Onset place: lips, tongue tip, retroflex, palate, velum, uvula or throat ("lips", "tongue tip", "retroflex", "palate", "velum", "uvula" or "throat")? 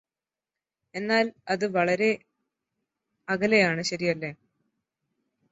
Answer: tongue tip